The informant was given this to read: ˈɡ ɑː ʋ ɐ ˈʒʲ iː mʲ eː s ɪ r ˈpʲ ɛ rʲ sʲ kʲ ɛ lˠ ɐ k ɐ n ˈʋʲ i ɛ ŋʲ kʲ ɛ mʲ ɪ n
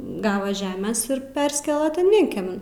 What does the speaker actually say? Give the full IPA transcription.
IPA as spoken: ˈɡ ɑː ʋ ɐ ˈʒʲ æː mʲ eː s ɪ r ˈpʲ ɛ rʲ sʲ kʲ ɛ lˠ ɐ t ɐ n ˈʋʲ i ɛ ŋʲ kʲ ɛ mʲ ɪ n